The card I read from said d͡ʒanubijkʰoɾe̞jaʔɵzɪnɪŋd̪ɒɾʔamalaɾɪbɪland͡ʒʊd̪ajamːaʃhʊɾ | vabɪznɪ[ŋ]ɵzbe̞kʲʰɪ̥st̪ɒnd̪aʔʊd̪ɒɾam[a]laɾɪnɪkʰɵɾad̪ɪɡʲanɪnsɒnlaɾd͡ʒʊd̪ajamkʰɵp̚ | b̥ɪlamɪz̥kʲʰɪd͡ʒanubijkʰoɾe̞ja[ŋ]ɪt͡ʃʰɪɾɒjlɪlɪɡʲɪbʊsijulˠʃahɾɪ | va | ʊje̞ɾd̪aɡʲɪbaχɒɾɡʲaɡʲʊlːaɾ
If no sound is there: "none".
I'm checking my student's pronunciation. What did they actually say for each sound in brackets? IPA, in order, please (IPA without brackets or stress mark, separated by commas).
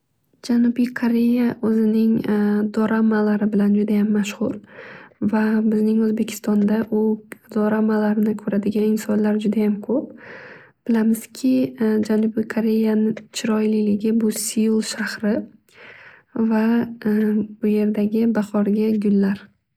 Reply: ŋ, a, n